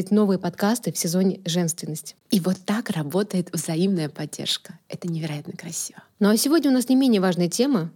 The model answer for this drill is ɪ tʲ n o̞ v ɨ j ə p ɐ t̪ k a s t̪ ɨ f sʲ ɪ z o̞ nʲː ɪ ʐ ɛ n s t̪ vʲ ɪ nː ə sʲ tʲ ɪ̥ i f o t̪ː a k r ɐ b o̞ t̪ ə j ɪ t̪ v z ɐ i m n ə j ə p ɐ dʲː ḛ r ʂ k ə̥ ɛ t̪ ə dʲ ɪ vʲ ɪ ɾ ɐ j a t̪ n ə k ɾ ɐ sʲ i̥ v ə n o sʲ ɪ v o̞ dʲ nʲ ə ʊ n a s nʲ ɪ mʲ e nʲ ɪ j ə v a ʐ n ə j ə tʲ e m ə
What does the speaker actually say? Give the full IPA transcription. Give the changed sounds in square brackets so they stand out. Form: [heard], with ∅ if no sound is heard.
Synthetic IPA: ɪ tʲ n o̞ v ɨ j ə p ɐ t̪ k a s t̪ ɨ f sʲ ɪ z o̞ [nʲ] ɪ ʐ ɛ n s t̪ vʲ ɪ nː ə sʲ tʲ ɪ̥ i [v] o t̪ː a k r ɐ b o̞ t̪ ə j ɪ t̪ v z ɐ i m n ə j ə p ɐ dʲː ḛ r ʂ k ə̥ ɛ t̪ ə [nʲ] ɪ vʲ ɪ ɾ ɐ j a t̪ n ə k ɾ ɐ sʲ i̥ v ə n o sʲ ɪ v o̞ dʲ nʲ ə ʊ n a s nʲ ɪ mʲ e nʲ ɪ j ə v a ʐ n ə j ə tʲ e m ə